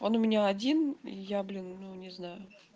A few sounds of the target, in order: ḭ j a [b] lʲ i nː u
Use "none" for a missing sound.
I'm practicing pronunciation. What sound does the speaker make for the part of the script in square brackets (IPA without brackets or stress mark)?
b